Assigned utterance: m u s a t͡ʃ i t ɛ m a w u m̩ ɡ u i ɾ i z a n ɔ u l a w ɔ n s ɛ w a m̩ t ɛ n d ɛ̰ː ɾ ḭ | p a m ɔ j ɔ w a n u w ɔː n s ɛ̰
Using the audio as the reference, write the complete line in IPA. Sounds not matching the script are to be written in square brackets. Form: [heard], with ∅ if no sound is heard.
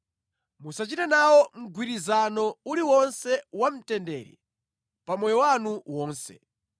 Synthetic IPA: m u s a t͡ʃ i t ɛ [n] a w [ɔ] m̩ ɡ [w] i ɾ i z a n ɔ u l [i] w ɔ n s ɛ w a m̩ t ɛ n d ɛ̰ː ɾ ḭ | p a m ɔ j ɔ w a n u w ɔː n s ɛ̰